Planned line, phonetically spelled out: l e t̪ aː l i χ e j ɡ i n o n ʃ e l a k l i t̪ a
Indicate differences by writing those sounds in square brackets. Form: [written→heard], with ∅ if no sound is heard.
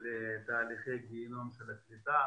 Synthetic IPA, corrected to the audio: l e t̪ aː l i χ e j ɡ i n o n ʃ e l a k l i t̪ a